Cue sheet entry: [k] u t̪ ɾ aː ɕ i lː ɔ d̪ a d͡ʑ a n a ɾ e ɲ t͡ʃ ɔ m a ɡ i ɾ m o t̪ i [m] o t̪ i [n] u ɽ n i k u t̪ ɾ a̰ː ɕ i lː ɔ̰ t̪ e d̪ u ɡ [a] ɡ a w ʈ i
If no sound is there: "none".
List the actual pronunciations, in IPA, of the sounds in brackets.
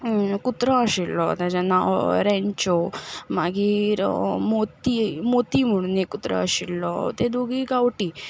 k, m, m, i

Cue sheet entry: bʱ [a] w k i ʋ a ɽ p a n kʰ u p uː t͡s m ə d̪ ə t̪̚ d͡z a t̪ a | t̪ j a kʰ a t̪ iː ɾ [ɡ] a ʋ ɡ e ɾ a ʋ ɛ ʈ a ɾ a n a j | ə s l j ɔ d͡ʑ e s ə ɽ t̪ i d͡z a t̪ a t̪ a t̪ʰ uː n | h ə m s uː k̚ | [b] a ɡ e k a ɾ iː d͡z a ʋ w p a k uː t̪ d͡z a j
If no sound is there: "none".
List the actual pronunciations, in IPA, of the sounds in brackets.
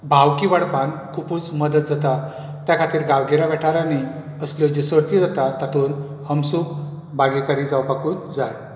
a, ɡ, b

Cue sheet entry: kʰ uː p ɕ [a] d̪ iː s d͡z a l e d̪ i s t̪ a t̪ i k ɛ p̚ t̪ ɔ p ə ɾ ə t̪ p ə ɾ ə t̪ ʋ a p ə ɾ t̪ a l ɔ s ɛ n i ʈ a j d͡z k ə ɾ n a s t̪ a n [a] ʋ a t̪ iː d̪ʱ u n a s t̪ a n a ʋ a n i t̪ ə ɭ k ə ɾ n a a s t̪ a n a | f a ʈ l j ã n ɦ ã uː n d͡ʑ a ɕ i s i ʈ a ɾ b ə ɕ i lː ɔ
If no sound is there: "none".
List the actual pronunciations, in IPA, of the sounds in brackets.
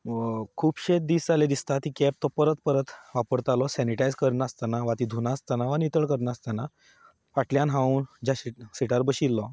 e, a

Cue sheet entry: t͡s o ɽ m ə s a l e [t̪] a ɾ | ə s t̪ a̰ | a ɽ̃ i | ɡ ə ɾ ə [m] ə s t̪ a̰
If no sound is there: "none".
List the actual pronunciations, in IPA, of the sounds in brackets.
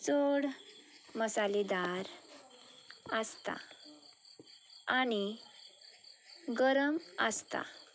d̪, m

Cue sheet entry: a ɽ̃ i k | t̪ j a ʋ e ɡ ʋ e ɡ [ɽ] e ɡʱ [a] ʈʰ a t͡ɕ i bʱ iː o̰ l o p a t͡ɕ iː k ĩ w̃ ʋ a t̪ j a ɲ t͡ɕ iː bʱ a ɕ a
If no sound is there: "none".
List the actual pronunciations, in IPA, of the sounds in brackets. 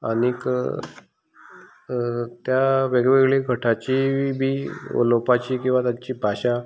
ɭ, ə

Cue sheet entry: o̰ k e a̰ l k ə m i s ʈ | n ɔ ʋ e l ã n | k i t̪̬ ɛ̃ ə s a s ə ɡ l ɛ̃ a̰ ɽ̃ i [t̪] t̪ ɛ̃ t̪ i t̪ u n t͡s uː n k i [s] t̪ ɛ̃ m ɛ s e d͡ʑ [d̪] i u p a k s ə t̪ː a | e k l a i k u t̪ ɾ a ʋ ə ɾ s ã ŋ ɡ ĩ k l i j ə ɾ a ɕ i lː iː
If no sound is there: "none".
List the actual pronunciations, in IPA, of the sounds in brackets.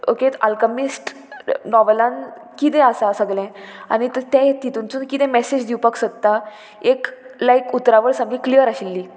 t̪, none, d̪

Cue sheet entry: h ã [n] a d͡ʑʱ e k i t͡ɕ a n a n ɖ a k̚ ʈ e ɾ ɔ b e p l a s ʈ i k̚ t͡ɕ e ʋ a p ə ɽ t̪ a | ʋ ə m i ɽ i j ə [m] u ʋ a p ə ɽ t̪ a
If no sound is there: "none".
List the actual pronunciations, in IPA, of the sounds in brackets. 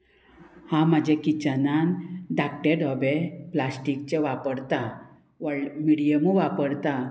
m, m

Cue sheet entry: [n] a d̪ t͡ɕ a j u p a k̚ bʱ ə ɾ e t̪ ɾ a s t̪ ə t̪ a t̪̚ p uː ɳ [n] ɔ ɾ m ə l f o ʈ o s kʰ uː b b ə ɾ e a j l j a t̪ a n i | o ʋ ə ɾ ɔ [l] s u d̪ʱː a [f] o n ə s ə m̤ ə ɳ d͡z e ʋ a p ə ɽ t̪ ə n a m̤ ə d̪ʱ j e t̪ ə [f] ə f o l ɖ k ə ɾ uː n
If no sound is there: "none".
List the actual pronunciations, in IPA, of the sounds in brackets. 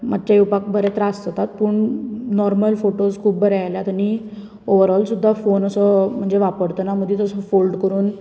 m, n, l, f, s

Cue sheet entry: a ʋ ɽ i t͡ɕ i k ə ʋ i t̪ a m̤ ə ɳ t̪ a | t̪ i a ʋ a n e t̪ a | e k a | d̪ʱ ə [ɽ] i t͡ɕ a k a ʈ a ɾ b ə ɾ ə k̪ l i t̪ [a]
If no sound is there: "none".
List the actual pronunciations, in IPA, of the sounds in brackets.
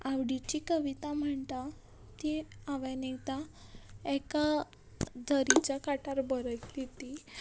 ɾ, i

